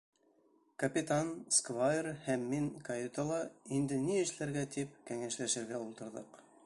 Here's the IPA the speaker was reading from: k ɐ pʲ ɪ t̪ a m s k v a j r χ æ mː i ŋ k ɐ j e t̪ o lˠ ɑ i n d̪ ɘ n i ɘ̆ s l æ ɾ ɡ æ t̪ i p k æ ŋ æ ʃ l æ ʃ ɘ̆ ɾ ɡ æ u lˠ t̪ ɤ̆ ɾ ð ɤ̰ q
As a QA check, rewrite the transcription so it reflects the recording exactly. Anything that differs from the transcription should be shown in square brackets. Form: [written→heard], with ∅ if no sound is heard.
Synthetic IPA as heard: k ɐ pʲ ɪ t̪ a [m→n] s k v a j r [χ→h] æ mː i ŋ k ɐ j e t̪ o lˠ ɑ i n d̪ ɘ n i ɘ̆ [s→ʃ] l æ ɾ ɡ æ t̪ i p k æ ŋ æ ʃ l æ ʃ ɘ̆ ɾ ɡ æ u lˠ t̪ ɤ̆ ɾ ð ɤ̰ q

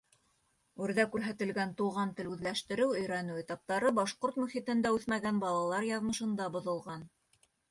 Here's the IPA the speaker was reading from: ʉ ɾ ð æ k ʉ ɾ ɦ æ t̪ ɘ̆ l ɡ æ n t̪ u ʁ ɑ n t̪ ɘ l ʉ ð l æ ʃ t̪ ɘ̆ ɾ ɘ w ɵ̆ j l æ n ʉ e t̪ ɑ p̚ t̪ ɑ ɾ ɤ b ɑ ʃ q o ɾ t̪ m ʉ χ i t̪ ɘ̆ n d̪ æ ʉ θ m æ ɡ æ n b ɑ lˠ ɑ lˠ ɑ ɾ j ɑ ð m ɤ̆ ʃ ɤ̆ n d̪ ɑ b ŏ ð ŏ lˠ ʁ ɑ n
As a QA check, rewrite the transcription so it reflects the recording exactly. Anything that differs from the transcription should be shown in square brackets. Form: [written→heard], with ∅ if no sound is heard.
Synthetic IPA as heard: ʉ ɾ ð æ k ʉ ɾ ɦ æ t̪ ɘ̆ l ɡ æ n t̪ u ʁ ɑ n t̪ ɘ l ʉ ð l æ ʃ t̪ ɘ̆ ɾ ɘ w ɵ̆ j [l→ɾ] æ n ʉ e t̪ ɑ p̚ t̪ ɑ ɾ ɤ b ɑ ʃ q o ɾ t̪ m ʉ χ i t̪ ɘ̆ n d̪ æ ʉ θ m æ ɡ æ n b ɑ lˠ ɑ lˠ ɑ ɾ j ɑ ð m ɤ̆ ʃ ɤ̆ n d̪ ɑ b ŏ ð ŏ lˠ ʁ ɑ n

